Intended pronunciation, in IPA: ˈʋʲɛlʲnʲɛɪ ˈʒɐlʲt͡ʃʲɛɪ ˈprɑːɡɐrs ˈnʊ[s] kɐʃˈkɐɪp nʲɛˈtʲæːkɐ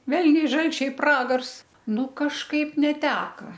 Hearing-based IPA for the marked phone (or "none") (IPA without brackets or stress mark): none